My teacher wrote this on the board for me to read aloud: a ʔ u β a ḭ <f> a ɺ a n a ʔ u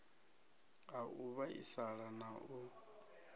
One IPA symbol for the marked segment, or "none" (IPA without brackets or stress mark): s